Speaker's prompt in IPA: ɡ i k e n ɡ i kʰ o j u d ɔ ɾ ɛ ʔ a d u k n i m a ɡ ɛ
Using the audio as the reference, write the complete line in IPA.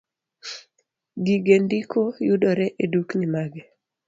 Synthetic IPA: ɡ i ɡ e n d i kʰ o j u d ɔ ɾ ɛ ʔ e d u k n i m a ɡ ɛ